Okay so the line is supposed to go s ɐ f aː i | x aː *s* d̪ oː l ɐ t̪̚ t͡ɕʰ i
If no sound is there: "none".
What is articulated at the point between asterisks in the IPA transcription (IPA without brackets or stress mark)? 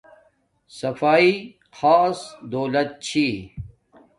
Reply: s